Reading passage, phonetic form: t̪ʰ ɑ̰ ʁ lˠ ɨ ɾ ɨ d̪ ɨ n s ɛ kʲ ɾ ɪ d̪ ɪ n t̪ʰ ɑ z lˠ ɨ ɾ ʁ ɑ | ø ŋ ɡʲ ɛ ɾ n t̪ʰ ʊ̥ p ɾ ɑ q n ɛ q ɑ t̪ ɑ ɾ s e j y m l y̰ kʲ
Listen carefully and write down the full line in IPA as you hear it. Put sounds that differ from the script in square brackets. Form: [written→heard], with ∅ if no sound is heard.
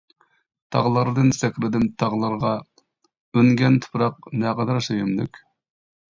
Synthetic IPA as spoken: t̪ʰ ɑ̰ ʁ lˠ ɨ ɾ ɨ d̪ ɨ n s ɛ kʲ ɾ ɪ d̪ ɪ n t̪ʰ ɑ [z→ʁ] lˠ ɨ ɾ ʁ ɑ | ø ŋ ɡʲ ɛ [ɾ→∅] n t̪ʰ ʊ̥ p ɾ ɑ q n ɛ q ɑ [t̪→d̪] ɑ ɾ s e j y m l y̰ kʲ

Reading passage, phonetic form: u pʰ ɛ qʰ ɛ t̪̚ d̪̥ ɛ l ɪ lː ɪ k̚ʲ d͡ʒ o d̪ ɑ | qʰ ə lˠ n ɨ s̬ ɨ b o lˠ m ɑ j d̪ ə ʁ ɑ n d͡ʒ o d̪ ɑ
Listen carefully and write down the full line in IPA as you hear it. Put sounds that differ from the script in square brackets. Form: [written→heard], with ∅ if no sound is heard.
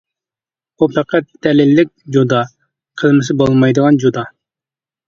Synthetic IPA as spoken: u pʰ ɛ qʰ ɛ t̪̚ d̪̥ ɛ l ɪ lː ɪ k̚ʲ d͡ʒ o d̪ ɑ | qʰ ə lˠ [n→m] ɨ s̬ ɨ b o lˠ m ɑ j d̪ ə ʁ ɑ n d͡ʒ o d̪ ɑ

